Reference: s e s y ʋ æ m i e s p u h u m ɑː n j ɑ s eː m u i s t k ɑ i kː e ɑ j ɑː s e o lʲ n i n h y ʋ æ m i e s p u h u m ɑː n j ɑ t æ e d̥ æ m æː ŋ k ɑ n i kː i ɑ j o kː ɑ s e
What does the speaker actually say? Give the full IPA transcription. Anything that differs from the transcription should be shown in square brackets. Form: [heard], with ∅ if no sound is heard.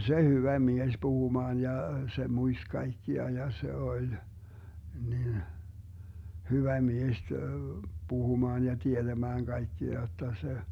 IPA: s e [h] y ʋ æ m i e s p u h u m ɑː n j ɑ s [e] m u i s t k ɑ i kː [i] ɑ j [ɑ] s e o lʲ n i n h y ʋ æ m i e s p u h u m ɑː n j ɑ t [i] e d̥ æ m æː ŋ k ɑ [∅] i kː i ɑ j o [tː] ɑ s e